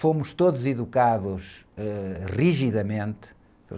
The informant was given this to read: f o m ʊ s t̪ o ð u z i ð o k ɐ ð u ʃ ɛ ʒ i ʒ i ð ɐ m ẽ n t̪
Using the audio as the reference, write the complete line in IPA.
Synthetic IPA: f o m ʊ ʃ t̪ o ð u z i ð u k a ð u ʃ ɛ ʁ i ʒ i ð ɐ m ẽ n t̪